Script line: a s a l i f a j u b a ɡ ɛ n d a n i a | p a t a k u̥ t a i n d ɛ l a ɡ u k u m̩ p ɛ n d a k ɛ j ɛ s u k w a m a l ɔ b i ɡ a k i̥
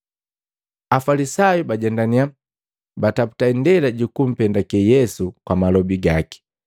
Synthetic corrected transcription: a f a l i s a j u b a ɟ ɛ n d a n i a | b a t a p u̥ t a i n d ɛ l a ɟ u k u m̩ p ɛ n d a k ɛ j ɛ s u k w a m a l ɔ b i ɡ a k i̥